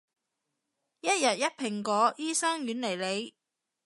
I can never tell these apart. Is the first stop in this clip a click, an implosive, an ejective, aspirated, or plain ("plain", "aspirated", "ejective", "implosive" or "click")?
plain